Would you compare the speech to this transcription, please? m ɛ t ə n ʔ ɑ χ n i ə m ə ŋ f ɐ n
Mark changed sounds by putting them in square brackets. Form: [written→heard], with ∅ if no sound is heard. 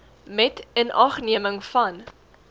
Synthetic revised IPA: m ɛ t ə n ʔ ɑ χ n i ə m ə ŋ f ɐ n